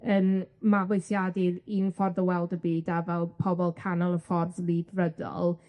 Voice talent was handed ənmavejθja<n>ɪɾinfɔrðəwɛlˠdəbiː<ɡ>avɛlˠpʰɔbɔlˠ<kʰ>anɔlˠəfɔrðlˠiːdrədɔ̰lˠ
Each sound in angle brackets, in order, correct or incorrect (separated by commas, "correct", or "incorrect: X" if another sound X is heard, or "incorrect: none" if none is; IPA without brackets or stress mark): incorrect: d, incorrect: d, correct